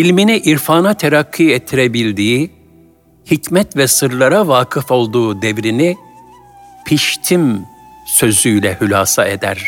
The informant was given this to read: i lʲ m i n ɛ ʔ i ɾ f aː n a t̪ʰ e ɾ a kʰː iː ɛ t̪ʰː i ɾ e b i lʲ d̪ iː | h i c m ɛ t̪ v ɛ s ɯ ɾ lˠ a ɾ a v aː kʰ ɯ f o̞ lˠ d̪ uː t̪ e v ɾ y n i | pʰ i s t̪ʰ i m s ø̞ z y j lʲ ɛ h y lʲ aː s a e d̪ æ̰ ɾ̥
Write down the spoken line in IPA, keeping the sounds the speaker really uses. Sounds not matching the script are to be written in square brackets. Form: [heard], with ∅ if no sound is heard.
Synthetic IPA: i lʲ m i n [i] ʔ i ɾ f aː n a t̪ʰ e ɾ a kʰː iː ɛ t̪ʰː i ɾ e b i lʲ d̪ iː | h i c m ɛ t̪ v ɛ s ɯ ɾ lˠ a ɾ a v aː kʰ ɯ f o̞ lˠ d̪ uː [d̪] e v ɾ [i] n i | pʰ i [ʃ] t̪ʰ i m s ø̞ z y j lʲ ɛ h y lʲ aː s a e d̪ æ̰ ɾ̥